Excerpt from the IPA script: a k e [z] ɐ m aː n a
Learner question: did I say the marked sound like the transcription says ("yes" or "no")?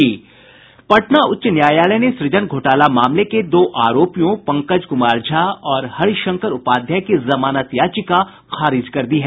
yes